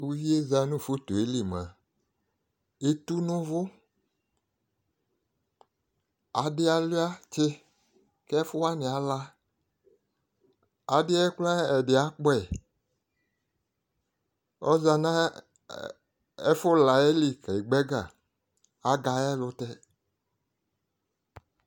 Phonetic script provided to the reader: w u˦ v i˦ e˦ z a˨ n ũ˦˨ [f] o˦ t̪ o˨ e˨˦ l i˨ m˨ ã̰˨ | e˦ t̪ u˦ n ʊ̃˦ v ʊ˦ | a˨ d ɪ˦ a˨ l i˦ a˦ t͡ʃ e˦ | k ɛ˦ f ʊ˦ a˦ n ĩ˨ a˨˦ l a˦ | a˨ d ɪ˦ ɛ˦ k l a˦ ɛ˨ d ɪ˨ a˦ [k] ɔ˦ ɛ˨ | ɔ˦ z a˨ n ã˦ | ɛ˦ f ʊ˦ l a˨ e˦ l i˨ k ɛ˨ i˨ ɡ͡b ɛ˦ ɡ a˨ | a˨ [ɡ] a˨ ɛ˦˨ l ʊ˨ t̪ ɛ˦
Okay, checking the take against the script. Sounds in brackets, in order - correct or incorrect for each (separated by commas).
correct, incorrect, correct